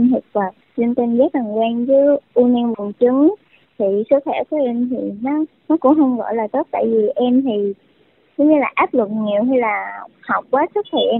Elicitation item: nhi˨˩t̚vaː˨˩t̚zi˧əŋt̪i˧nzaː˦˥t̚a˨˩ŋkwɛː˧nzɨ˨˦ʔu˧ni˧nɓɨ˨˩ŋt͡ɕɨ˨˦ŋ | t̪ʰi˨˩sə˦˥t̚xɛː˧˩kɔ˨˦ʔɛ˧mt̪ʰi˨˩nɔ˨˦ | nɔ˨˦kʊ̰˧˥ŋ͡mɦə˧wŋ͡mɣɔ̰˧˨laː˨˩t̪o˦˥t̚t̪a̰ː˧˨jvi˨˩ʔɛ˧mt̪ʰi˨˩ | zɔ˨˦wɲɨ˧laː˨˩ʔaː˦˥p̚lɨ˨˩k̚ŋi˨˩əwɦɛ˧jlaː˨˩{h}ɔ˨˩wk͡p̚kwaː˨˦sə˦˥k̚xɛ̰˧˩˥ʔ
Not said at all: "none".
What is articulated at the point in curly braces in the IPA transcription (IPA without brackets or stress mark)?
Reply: h